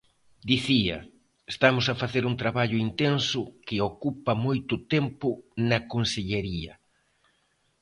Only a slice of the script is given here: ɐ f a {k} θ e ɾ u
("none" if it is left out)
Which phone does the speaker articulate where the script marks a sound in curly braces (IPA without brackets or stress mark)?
none